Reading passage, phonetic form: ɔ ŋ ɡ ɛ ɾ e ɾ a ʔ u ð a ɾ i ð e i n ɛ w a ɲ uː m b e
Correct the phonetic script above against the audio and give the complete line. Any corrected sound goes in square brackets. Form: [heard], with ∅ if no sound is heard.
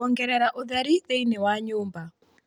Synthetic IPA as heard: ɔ ŋ ɡ ɛ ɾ [ɛ] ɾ a ʔ u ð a ɾ i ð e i n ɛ w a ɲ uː m b [a]